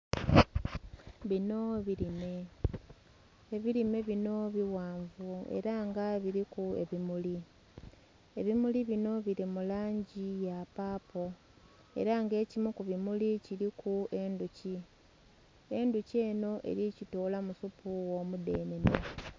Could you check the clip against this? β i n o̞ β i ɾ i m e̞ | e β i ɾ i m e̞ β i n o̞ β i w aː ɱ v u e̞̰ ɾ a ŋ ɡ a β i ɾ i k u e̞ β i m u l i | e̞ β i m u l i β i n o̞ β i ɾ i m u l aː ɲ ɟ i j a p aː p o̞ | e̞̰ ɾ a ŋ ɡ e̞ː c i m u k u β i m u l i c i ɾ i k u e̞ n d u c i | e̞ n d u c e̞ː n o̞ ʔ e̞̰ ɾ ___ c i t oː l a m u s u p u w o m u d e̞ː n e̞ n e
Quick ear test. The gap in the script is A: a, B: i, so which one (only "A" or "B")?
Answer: B